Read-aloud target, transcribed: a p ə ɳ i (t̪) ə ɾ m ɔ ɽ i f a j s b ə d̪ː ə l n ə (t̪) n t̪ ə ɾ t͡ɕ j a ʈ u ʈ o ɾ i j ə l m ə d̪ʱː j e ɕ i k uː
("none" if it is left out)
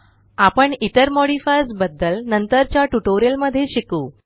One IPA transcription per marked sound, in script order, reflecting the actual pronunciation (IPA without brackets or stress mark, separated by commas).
t̪, none